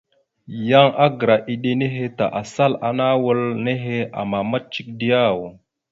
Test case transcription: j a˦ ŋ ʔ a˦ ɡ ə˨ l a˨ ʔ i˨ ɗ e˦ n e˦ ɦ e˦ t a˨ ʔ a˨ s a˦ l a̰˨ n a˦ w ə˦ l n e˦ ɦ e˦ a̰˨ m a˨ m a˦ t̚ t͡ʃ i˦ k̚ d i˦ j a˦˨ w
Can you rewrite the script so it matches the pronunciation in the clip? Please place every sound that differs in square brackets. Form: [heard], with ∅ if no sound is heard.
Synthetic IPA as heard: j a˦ ŋ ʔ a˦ ɡ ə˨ [ɾ] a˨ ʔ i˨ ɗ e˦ n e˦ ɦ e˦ t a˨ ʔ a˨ s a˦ l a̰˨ n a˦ w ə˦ l n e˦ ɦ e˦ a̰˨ m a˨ m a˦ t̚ t͡ʃ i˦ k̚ d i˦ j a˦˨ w